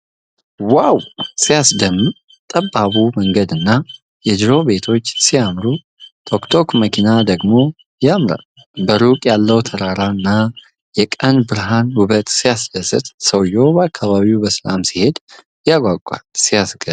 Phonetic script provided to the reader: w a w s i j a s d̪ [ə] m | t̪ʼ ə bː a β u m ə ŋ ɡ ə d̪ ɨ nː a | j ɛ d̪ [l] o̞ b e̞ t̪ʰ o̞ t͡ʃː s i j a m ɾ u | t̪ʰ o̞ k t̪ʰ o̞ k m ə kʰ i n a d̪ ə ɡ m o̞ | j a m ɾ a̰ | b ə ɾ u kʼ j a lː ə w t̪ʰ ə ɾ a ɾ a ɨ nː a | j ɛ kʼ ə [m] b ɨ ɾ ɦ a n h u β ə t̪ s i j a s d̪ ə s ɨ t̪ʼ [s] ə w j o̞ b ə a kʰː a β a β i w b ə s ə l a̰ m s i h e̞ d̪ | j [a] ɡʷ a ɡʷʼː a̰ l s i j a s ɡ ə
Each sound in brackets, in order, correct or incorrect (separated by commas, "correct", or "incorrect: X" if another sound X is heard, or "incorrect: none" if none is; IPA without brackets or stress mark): correct, incorrect: ɾ, incorrect: n, correct, correct